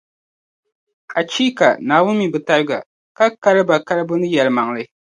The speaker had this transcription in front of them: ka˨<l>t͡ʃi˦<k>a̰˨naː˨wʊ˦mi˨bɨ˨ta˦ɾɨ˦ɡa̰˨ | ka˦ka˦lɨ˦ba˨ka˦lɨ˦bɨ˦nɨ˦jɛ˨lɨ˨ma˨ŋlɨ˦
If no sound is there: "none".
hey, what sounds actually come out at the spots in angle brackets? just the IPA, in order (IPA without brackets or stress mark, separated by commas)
none, k